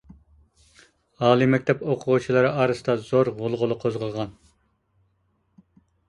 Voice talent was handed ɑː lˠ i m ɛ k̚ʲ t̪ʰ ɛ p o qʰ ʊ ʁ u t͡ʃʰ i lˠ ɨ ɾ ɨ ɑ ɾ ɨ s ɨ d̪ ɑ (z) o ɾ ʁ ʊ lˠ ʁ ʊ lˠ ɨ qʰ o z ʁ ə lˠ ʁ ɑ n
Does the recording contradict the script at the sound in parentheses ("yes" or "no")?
no